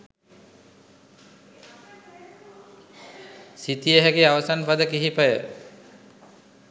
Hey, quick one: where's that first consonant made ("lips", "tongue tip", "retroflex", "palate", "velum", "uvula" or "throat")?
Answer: tongue tip